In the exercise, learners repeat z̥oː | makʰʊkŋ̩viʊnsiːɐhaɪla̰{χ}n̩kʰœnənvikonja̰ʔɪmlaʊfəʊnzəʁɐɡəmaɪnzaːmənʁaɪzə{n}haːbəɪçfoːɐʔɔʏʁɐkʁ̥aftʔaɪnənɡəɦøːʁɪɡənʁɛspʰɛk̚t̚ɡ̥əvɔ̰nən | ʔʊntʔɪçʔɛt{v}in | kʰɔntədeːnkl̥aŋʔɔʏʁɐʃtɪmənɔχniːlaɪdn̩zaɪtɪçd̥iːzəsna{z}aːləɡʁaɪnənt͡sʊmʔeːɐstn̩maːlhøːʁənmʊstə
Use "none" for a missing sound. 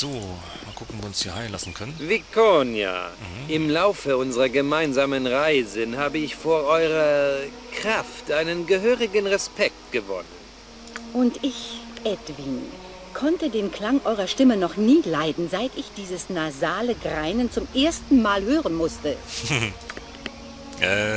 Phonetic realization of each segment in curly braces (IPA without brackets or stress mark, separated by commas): s, n, v, z